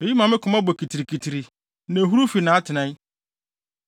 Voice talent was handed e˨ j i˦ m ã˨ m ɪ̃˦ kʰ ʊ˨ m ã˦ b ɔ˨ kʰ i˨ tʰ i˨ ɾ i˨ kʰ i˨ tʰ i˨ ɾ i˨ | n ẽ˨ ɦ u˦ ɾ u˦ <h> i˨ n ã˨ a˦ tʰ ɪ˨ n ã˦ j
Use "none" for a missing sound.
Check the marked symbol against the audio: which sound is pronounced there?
f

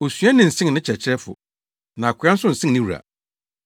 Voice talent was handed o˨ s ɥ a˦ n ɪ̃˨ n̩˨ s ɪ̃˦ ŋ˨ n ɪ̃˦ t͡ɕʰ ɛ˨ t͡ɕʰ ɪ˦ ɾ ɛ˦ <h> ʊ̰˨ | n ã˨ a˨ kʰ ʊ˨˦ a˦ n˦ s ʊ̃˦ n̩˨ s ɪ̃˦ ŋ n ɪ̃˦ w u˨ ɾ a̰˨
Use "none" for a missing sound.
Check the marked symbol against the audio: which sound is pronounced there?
f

